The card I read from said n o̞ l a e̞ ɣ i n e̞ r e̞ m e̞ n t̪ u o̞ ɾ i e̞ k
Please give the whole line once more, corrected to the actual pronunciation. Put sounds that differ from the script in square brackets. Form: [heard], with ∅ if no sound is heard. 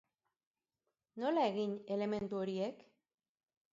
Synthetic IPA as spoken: n o̞ l a e̞ ɣ i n e̞ [l] e̞ m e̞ n t̪ u o̞ ɾ i e̞ k